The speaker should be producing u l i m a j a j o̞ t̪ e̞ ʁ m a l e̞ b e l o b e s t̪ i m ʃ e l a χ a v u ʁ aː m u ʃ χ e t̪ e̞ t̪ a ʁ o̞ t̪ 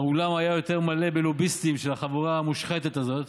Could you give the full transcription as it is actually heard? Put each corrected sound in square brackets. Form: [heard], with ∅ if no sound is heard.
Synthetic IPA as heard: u l [a] m a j a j o̞ t̪ e̞ ʁ m a l e̞ b e l o b [i] s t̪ i m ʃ e l a χ a v u ʁ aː m u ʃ χ e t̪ e̞ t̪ a [z] o̞ t̪